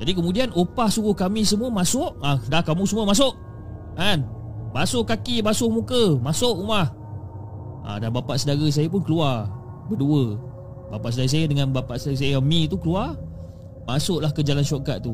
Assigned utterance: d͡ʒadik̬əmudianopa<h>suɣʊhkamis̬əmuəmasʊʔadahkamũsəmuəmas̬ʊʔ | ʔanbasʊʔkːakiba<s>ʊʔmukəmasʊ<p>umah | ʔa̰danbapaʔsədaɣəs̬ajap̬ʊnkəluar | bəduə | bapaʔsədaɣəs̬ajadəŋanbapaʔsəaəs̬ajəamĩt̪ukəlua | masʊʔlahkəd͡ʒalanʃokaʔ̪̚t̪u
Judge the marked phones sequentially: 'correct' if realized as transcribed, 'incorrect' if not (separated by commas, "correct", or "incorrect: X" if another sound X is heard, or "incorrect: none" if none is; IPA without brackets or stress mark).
correct, correct, incorrect: ʔ